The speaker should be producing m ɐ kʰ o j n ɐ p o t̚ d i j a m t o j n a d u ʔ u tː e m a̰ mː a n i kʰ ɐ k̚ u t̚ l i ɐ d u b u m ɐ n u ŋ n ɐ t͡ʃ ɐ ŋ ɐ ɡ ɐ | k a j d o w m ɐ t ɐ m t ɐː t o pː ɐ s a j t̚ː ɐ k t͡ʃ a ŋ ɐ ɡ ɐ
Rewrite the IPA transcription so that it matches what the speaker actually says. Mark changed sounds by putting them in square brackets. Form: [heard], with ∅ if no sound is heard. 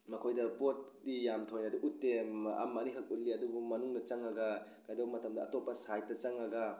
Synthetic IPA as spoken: m ɐ kʰ o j [d] ɐ p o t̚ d i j a m [tʰ] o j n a d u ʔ u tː e m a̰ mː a n i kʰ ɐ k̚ u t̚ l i ɐ d u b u m ɐ n u ŋ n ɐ t͡ʃ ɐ ŋ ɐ ɡ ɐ | k a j d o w m ɐ t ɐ m [d] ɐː t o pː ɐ s a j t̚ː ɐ [∅] t͡ʃ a ŋ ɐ ɡ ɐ